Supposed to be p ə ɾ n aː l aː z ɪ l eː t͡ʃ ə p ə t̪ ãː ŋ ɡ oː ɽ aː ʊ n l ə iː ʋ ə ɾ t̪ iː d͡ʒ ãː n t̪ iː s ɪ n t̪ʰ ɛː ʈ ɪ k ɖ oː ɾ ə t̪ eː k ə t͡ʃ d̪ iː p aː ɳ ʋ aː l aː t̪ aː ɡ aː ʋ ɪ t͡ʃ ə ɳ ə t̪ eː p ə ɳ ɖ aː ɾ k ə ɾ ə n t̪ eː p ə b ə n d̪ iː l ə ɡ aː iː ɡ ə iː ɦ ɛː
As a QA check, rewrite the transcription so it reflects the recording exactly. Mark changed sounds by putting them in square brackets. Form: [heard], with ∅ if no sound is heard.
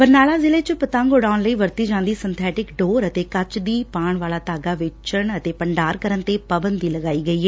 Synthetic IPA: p ə ɾ n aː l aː z ɪ l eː t͡ʃ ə p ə t̪ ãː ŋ ɡ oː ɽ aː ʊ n l ə iː ʋ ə ɾ t̪ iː d͡ʒ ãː n [d̪] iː s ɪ n t̪ʰ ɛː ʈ ɪ k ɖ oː ɾ ə t̪ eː k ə t͡ʃ d̪ iː p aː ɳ ʋ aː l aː t̪ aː ɡ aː ʋ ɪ t͡ʃ ə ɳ ə t̪ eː p ə ɳ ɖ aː ɾ k ə ɾ ə n t̪ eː p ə b ə n d̪ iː l ə ɡ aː iː ɡ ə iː ɦ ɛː

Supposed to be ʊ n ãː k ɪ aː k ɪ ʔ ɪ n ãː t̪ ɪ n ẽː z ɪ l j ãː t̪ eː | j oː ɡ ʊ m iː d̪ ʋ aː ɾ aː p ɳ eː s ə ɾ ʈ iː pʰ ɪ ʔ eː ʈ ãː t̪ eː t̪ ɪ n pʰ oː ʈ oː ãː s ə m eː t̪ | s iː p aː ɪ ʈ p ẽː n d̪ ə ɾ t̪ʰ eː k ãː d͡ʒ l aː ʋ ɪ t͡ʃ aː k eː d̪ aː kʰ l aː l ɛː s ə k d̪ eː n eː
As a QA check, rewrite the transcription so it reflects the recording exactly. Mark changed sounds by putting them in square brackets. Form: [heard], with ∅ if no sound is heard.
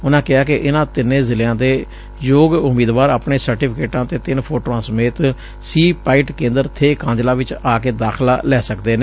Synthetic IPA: ʊ n ãː k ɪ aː k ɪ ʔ ɪ n ãː t̪ ɪ n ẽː z ɪ l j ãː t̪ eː | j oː ɡ ʊ m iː d̪ ʋ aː ɾ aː p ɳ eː s ə ɾ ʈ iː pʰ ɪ [k] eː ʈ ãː t̪ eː t̪ ɪ n pʰ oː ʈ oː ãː s ə m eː t̪ | s iː p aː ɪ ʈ [k] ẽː n d̪ ə ɾ t̪ʰ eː k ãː d͡ʒ l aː ʋ ɪ t͡ʃ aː k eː d̪ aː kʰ l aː l ɛː s ə k d̪ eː n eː

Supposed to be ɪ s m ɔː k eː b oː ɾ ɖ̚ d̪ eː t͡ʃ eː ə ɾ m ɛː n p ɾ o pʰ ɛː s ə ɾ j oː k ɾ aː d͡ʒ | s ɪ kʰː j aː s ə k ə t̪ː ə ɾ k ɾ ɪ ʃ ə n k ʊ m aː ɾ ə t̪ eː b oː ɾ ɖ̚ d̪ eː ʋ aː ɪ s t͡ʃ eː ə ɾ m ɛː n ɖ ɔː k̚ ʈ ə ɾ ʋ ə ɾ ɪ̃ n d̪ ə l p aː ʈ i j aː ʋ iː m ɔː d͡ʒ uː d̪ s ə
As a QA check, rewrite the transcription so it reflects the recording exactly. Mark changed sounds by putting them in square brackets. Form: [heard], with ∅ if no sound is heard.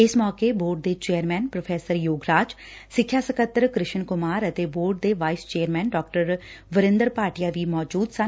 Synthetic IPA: ɪ s m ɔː k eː b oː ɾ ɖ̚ d̪ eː t͡ʃ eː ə ɾ m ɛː n p ɾ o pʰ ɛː s ə ɾ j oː [ɡ] ɾ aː d͡ʒ | s ɪ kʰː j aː s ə k ə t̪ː ə ɾ k ɾ ɪ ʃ ə n k ʊ m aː ɾ ə t̪ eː b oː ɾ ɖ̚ d̪ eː ʋ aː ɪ s t͡ʃ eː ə ɾ m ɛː n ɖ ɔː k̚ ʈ ə ɾ ʋ ə ɾ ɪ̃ n d̪ ə [ɾ] p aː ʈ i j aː ʋ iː m ɔː d͡ʒ uː d̪ s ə

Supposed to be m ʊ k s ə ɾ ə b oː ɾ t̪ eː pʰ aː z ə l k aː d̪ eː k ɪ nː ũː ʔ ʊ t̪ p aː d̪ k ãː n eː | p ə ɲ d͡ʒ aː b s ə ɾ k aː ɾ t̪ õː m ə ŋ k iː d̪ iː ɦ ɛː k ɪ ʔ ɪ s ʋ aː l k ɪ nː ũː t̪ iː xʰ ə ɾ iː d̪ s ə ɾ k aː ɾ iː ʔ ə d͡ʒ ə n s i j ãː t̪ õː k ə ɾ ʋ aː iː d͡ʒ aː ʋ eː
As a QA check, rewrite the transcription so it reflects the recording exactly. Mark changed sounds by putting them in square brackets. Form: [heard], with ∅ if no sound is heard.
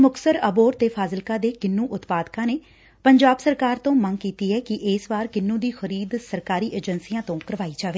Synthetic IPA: m ʊ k s ə ɾ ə b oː ɾ t̪ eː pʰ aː z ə l k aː d̪ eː k ɪ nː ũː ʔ ʊ t̪ p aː d̪ k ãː n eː | p ə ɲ d͡ʒ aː b s ə ɾ k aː ɾ t̪ õː m ə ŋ k iː [t̪] iː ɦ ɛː k ɪ ʔ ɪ s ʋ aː [ɾ] k ɪ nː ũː [d̪] iː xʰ ə ɾ iː d̪ s ə ɾ k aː ɾ iː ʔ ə d͡ʒ ə n s i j ãː t̪ õː k ə ɾ ʋ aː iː d͡ʒ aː ʋ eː

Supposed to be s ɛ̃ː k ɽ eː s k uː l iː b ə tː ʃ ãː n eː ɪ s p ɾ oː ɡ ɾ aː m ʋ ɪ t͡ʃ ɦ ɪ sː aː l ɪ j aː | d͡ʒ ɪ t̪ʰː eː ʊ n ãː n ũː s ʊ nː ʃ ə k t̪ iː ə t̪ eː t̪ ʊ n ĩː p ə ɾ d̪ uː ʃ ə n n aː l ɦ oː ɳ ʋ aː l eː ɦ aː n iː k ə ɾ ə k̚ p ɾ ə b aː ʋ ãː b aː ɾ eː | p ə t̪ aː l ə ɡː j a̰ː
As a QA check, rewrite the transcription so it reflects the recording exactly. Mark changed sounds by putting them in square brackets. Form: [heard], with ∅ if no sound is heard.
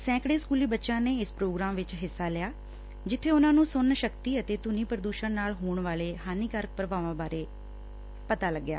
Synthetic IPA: s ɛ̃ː k ɽ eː s k uː l iː b ə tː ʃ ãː n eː ɪ s p ɾ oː ɡ ɾ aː m ʋ ɪ t͡ʃ ɦ ɪ sː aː l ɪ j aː | d͡ʒ ɪ t̪ʰː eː ʊ n ãː n ũː s ʊ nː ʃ ə k t̪ iː ə t̪ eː t̪ ʊ n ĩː p ə ɾ d̪ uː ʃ ə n n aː l ɦ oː ɳ ʋ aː l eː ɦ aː n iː k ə ɾ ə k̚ p ɾ ə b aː ʋ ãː b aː ɾ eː | p ə t̪ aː l ə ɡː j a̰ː

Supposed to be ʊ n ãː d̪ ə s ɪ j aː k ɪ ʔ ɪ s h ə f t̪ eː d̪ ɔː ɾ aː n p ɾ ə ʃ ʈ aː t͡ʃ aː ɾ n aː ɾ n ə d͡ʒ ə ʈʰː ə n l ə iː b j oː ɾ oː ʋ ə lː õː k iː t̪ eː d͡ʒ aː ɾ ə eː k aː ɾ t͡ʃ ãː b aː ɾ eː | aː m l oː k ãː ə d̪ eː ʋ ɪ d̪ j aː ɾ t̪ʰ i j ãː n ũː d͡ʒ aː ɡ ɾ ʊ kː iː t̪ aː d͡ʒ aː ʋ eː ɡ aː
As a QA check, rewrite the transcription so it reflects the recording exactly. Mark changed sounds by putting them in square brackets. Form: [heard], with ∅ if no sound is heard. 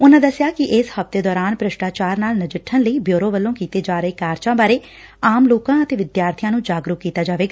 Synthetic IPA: ʊ n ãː d̪ ə s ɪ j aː k ɪ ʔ ɪ s h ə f t̪ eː d̪ ɔː ɾ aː n p ɾ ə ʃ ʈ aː t͡ʃ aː ɾ n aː [l] n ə d͡ʒ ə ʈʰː ə n l ə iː b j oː ɾ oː ʋ ə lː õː k iː t̪ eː d͡ʒ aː ɾ ə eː k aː ɾ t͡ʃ ãː b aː ɾ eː | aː m l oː k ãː ə [t̪] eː ʋ ɪ d̪ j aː ɾ t̪ʰ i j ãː n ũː d͡ʒ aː ɡ ɾ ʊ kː iː t̪ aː d͡ʒ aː ʋ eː ɡ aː

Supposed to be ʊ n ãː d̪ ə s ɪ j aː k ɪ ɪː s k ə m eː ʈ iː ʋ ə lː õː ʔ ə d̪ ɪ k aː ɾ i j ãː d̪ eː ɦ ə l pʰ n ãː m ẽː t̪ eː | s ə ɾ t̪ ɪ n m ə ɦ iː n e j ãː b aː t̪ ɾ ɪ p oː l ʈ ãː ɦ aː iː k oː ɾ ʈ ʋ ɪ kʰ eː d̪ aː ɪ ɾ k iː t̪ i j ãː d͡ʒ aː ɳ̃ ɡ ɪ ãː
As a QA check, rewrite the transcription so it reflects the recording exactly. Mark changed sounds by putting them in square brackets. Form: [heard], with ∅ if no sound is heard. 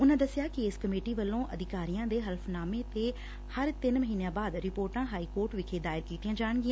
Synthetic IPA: ʊ n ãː d̪ ə s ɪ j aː k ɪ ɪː s k ə m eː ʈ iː ʋ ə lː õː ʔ ə d̪ ɪ k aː ɾ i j ãː d̪ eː ɦ ə l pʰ n [aː] m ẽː t̪ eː | [h] ə ɾ t̪ ɪ n m ə ɦ iː n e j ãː b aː [d̪] ɾ ɪ p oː [ɾ] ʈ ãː ɦ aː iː k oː ɾ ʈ ʋ ɪ kʰ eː d̪ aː ɪ ɾ k iː t̪ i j ãː d͡ʒ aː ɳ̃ ɡ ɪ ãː

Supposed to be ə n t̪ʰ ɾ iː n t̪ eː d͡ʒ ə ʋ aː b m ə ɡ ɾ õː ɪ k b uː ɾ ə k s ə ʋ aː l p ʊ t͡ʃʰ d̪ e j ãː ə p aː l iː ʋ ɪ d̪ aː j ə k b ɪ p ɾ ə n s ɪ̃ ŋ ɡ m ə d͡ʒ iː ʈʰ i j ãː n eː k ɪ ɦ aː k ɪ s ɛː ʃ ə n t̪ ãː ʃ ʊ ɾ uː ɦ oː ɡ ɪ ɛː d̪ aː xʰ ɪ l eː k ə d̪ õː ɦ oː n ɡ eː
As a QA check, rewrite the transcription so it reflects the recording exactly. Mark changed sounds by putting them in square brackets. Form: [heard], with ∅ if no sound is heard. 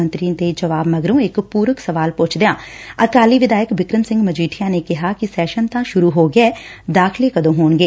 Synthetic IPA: ə n [t̪] ɾ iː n t̪ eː d͡ʒ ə ʋ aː b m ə ɡ ɾ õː ɪ k [p] uː ɾ ə k s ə ʋ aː l p ʊ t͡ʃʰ d̪ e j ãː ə [k] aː l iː ʋ ɪ d̪ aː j ə k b ɪ [k] ɾ ə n s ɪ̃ ŋ ɡ m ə d͡ʒ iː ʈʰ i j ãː n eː k ɪ ɦ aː k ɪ s ɛː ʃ ə n t̪ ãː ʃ ʊ ɾ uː ɦ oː ɡ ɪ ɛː d̪ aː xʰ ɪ l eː k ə d̪ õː ɦ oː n ɡ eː

